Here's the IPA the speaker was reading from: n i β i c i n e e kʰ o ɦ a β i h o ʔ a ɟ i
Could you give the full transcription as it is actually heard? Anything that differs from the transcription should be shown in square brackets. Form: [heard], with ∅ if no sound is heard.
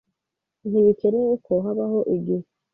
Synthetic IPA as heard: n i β i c [e] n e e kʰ o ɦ a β [a] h o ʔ [i] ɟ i